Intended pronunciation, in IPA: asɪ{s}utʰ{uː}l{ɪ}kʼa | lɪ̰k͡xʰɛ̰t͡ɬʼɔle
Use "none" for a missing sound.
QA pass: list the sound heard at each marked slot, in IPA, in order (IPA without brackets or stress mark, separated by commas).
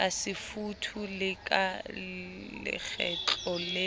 f, u, ɪ